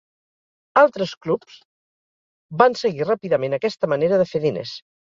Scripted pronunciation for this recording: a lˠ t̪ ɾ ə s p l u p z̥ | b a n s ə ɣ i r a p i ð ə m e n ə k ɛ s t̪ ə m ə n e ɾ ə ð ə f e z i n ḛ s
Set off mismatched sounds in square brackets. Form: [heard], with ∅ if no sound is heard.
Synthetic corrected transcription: a lˠ t̪ ɾ ə s [k] l u p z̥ | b a n s ə ɣ i r a p i ð ə m e n ə k ɛ s t̪ ə m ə n e ɾ ə ð ə f e [ð] i n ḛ s

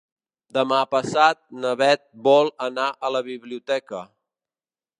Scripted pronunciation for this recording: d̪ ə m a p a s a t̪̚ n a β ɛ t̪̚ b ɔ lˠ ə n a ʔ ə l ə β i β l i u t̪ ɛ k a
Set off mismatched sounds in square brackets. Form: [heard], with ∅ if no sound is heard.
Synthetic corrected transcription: d̪ ə m a p [ə] s a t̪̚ n [ə] β ɛ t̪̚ b ɔ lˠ ə n a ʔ ə l ə β i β l i u t̪ ɛ k [ə]

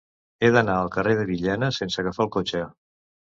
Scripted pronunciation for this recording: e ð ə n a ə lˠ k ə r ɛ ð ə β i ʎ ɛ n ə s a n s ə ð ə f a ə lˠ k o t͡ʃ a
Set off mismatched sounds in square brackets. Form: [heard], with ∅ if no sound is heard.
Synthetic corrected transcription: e ð ə n a ə lˠ k ə r [e] ð ə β i ʎ ɛ n ə s [e] n s ə [ɣ] ə f a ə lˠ k o t͡ʃ [ə]

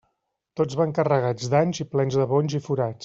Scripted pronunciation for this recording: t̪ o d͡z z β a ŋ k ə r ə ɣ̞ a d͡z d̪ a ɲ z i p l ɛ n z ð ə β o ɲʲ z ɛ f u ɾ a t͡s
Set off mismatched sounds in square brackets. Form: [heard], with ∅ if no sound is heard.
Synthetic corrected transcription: t̪ o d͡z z β a ŋ k ə r ə ɣ̞ a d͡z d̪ a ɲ z i p l ɛ n z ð ə β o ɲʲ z [i] f u ɾ a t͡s

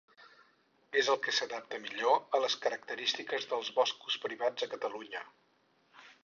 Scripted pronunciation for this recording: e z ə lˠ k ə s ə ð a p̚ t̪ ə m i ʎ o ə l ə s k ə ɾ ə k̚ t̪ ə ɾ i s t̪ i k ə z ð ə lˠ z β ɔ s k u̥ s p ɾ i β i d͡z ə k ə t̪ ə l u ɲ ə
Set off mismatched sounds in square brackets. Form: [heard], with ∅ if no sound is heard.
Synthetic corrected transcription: e z ə lˠ k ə s ə ð a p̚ t̪ ə m i ʎ o ə l ə s k ə ɾ ə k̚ t̪ ə ɾ i s t̪ i k ə z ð ə lˠ z β ɔ s k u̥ s p ɾ i β [a] d͡z ə k ə t̪ ə l u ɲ ə

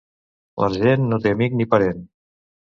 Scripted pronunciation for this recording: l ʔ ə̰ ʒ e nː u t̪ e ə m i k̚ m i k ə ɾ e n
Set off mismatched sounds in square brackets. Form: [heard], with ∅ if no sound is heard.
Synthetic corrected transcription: l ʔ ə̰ ʒ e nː [o] t̪ e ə m i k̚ [n] i [p] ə ɾ e n

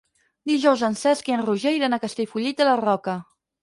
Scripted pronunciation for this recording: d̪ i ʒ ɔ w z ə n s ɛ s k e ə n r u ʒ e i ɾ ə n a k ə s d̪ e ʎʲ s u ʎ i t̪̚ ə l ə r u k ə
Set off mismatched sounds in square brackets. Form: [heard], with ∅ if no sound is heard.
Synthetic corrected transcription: d̪ i ʒ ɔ w z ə n s ɛ s k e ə n r u ʒ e [j] ɾ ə n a k ə s [t̪] e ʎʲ [f] u ʎ i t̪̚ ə l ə r [ɔ] k ə

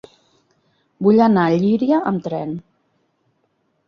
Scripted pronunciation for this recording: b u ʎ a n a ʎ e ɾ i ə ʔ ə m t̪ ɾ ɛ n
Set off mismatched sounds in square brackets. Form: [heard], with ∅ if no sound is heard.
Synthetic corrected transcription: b u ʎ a n a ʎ [i] ɾ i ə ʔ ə m t̪ ɾ ɛ n

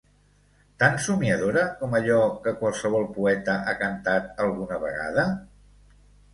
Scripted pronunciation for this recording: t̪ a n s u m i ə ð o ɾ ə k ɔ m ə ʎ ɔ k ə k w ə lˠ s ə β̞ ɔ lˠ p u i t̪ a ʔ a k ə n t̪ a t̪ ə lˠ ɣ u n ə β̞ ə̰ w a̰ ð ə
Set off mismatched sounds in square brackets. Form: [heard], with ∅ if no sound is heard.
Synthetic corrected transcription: t̪ a n s u m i ə ð o ɾ ə k ɔ m ə ʎ ɔ k ə k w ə lˠ s ə β̞ ɔ lˠ p u [ɛ] t̪ [ə] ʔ a k ə n t̪ a t̪ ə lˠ ɣ u n ə β̞ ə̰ [ɣ] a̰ ð ə

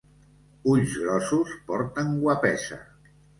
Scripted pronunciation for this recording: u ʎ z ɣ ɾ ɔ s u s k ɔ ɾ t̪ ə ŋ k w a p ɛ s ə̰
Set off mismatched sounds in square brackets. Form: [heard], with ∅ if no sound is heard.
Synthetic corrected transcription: u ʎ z ɣ ɾ ɔ s u s [p] ɔ ɾ t̪ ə ŋ [ɡ] w a p ɛ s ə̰

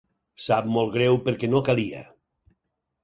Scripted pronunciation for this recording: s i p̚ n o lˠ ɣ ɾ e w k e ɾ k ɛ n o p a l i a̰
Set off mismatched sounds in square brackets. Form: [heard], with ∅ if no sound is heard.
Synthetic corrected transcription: s [a] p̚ [m] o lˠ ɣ ɾ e w [p] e ɾ k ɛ n o [k] a l i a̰

